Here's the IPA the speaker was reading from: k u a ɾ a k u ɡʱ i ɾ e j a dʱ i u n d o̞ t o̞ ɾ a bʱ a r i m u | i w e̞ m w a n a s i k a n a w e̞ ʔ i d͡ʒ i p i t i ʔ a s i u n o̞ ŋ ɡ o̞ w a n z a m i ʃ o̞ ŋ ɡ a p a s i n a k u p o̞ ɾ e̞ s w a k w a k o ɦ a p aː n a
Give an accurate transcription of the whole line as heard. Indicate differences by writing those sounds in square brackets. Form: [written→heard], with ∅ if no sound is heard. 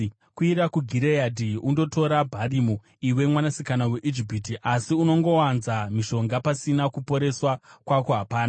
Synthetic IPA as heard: k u [a→i] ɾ a k u ɡʱ i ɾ e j a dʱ i u n d o̞ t o̞ ɾ a bʱ a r i m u | i w e̞ m w a n a s i k a n a w e̞ ʔ i d͡ʒ i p i t i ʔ a s i u n o̞ ŋ ɡ o̞ w a n z a m i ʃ o̞ ŋ ɡ a p a s i n a k u p o̞ ɾ e̞ s w a k w a k o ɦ a p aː n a